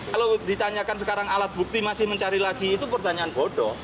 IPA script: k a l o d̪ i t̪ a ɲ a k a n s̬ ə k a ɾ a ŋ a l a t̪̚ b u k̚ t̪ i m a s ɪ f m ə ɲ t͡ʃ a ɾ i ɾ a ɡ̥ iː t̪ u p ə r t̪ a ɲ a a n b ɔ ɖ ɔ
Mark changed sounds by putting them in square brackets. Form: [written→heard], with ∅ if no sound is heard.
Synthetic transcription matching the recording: k a l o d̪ i t̪ a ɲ a k a n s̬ ə k a ɾ a ŋ a l a t̪̚ b u k̚ t̪ i m a s ɪ [f→h] m ə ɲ t͡ʃ a ɾ i [ɾ→l] a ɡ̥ iː t̪ u p ə r t̪ a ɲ a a n b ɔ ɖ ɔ

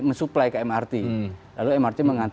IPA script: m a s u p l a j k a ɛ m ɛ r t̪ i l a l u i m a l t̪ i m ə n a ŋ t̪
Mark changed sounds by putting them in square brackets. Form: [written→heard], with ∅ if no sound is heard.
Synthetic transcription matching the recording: m [a→ə] s u p l a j k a ɛ m [ɛ→a] r t̪ i l a l u [i→ɛ] m a [l→r] t̪ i m ə [n→ŋ] a [ŋ→n] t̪

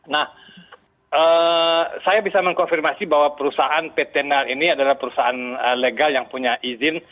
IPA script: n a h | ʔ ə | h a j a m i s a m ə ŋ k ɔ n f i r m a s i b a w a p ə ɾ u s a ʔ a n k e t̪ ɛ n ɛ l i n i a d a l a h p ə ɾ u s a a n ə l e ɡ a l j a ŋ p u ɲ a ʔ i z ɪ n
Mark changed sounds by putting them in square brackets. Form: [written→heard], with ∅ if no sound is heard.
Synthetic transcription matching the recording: n a h | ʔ ə | [h→s] a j a [m→b] i s a m ə ŋ k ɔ n f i r m a s i b a w a p ə ɾ u s a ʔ a n [k→p] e t̪ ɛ n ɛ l i n i a d a l a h p ə ɾ u s a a n ə l e ɡ a l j a ŋ p u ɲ a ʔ i z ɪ n

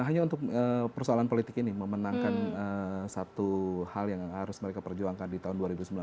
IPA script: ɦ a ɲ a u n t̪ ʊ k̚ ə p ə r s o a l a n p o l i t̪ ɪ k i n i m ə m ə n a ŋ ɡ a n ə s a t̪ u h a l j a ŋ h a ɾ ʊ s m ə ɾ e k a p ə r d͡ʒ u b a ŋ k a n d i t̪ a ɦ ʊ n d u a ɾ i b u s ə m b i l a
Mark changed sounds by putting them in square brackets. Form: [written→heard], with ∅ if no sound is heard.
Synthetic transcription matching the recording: ɦ a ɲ a u n t̪ ʊ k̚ ə p ə r s o a l a n p o l i t̪ ɪ k i n i m ə m ə n a ŋ [ɡ→k] a n ə s a t̪ u h a l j a ŋ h a ɾ ʊ s m ə ɾ e k a p ə r d͡ʒ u [b→∅] a ŋ k a n d i t̪ a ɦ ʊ n d u a ɾ i b u s ə m b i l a

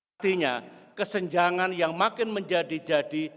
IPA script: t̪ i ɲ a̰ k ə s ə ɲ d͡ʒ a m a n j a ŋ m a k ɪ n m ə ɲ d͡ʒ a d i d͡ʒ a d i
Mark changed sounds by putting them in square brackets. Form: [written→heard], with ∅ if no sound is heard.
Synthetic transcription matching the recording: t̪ i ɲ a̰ k ə s ə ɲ d͡ʒ a [m→ŋ] a n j a ŋ m a k ɪ n m ə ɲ d͡ʒ a d i d͡ʒ a d i

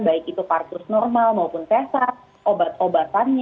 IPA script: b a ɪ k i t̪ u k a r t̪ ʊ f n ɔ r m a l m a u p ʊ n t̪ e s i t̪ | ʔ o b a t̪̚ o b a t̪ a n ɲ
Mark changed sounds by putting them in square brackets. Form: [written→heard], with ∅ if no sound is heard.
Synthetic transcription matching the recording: b a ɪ k i t̪ u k a r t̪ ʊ [f→s] n ɔ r m a l m a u p ʊ n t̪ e s [i→a] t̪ | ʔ o b a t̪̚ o b a t̪ a n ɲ

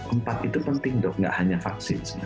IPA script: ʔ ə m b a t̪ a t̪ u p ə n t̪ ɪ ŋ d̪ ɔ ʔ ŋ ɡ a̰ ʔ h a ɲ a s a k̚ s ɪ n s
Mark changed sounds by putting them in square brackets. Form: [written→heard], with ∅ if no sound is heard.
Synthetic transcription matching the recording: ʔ ə m [b→p] a t̪ [a→i] t̪ u p ə n t̪ ɪ ŋ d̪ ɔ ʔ ŋ ɡ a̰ ʔ h a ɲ a [s→f] a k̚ s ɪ n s

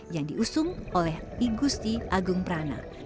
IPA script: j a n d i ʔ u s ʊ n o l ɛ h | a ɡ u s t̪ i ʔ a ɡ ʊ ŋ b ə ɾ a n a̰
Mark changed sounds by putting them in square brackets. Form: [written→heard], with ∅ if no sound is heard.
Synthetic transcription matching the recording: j a [n→ŋ] d i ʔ u s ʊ [n→ŋ] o l ɛ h | [a→i] ɡ u s t̪ i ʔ a ɡ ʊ ŋ [b→p] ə ɾ a n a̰

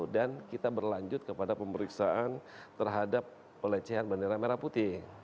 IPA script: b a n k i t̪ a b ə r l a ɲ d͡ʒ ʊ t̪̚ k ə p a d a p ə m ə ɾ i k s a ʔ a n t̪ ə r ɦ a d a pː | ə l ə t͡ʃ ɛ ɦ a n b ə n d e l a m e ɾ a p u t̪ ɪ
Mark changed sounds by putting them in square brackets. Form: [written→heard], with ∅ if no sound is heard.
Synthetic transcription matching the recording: [b→d] a n k i t̪ a b ə r l a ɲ d͡ʒ ʊ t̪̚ k ə p a d a p ə m ə ɾ i k s a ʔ a n t̪ ə r ɦ a d a pː | ə l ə t͡ʃ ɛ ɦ a n b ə n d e [l→ɾ] a m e ɾ a p u t̪ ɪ

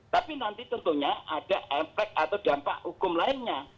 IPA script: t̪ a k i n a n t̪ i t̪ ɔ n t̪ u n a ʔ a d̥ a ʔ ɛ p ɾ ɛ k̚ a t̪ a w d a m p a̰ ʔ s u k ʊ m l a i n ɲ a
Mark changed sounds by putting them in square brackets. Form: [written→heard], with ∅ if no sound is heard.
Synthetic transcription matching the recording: t̪ a [k→p] i n a n t̪ i t̪ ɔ n t̪ u [n→ɲ] a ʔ a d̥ a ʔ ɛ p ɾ ɛ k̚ a t̪ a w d a m p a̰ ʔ [s→h] u k ʊ m l a [i→ɪ] n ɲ a

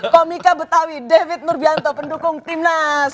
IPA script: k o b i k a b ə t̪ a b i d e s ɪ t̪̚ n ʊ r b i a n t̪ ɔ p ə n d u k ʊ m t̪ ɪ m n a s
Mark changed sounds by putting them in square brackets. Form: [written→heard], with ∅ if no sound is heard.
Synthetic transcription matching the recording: k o [b→m] i k a b ə t̪ a [b→w] i d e [s→f] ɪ t̪̚ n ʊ r b i a n t̪ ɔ p ə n d u k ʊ [m→ŋ] t̪ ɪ m n a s

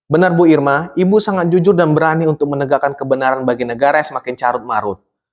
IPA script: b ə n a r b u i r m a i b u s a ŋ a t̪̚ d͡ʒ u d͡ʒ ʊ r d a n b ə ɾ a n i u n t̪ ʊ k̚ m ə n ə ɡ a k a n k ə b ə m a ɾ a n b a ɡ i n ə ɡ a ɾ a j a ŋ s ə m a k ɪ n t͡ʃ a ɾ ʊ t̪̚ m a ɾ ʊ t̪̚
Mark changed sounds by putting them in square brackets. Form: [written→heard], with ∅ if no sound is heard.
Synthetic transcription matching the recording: b ə n a r b u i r m a i b u s a ŋ a t̪̚ d͡ʒ u d͡ʒ ʊ r d a n b ə ɾ a n i u n t̪ ʊ k̚ m ə n ə ɡ a k a n k ə b ə [m→n] a ɾ a n b a ɡ i n ə ɡ a ɾ a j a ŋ s ə m a k ɪ n t͡ʃ a ɾ ʊ t̪̚ m a ɾ ʊ t̪̚

